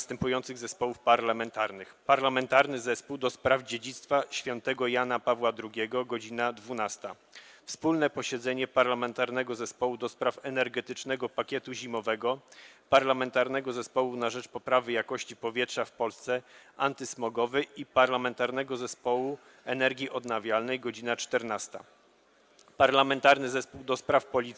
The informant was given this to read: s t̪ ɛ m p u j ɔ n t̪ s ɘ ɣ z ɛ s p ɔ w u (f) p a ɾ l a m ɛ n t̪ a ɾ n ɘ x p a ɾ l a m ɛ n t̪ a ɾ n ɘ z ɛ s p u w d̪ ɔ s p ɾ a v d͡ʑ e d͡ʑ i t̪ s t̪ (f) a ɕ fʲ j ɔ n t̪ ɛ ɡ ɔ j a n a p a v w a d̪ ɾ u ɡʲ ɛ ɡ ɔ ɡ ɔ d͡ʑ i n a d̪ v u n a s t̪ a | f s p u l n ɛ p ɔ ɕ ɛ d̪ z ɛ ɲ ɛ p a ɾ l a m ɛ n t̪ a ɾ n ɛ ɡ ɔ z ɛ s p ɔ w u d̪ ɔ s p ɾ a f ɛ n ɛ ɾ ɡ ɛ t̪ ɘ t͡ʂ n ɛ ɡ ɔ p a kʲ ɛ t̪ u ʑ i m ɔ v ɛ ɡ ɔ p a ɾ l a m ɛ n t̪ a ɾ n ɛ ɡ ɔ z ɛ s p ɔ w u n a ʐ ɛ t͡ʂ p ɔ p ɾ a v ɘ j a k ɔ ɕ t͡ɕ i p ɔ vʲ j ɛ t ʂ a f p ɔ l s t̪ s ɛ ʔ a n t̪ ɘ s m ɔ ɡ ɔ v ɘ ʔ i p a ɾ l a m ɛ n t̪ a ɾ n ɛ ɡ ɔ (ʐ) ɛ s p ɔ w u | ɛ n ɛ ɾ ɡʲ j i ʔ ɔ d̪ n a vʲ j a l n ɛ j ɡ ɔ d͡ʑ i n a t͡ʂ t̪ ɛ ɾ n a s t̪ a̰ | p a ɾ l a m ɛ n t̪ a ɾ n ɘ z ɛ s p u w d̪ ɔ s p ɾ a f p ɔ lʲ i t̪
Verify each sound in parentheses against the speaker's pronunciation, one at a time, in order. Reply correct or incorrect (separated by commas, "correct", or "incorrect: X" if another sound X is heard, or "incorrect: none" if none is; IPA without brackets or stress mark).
correct, correct, incorrect: z